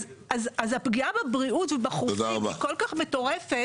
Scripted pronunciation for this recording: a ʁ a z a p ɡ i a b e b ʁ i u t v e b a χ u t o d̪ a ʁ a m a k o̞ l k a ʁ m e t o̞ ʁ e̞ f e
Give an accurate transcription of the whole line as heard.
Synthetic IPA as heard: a z a z a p ɡ i a b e b ʁ i u t v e b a χ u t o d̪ a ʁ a b a k o̞ l k a χ m e t o̞ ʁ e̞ f e